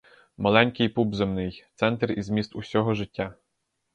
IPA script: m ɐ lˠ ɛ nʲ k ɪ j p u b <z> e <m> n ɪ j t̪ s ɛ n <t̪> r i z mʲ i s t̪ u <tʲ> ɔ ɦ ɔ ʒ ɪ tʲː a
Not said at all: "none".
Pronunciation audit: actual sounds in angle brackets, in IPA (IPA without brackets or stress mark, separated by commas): z, m, t̪, sʲ